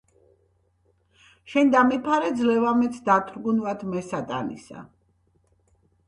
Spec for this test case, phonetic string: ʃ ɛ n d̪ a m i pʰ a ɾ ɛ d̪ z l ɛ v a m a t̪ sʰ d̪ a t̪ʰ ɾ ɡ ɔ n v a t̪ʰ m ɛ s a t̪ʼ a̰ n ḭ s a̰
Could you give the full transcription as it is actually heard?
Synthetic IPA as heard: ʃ ɛ n d̪ a m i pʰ a ɾ ɛ d̪ z l ɛ v a m ɛ t̪ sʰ d̪ a t̪ʰ ɾ ɡ u n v a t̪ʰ m ɛ s a t̪ʼ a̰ n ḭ s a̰